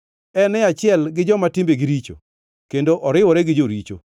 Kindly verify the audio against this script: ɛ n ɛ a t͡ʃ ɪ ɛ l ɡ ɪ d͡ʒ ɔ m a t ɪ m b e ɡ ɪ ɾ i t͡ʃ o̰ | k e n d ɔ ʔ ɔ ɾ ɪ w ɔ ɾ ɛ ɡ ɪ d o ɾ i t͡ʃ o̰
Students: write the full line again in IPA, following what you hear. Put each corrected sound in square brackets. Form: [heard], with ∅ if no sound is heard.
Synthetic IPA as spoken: ɛ n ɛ a t͡ʃ ɪ ɛ l ɡ ɪ d͡ʒ ɔ m a t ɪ m b e ɡ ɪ ɾ i t͡ʃ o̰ | k e n d [o] ʔ ɔ ɾ ɪ w ɔ ɾ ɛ ɡ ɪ [d͡ʒ] o ɾ i t͡ʃ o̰